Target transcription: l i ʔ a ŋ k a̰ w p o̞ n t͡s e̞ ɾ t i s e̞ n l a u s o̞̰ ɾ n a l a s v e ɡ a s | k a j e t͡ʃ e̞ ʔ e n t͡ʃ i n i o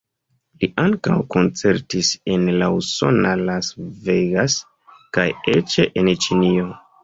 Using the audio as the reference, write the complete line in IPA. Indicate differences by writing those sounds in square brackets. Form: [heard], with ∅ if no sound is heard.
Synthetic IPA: l i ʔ a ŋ k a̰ w [k] o̞ n t͡s e̞ ɾ t i s e̞ n l a u s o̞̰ [∅] n a l a s v e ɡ a s | k a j e t͡ʃ e̞ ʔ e n t͡ʃ i n i o